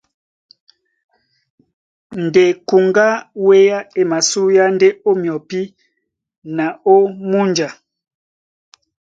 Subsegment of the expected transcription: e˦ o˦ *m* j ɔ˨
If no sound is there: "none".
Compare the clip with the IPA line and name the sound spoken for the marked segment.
m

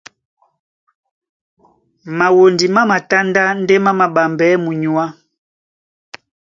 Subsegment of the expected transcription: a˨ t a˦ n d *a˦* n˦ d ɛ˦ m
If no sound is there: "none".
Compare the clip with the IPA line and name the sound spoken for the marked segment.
a˦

